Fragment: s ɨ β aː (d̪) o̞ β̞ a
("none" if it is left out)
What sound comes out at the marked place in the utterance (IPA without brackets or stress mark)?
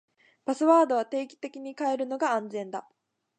d̪